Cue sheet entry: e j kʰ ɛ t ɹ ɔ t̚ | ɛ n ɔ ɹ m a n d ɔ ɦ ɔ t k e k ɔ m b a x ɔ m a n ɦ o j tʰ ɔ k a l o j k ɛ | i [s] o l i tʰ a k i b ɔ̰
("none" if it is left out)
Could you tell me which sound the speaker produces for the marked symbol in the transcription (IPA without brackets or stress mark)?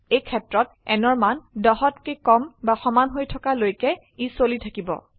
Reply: s